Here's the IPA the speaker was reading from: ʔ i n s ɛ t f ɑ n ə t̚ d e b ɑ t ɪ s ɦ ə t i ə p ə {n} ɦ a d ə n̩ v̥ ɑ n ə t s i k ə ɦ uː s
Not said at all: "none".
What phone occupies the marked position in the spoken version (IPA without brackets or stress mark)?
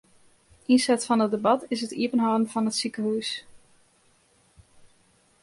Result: n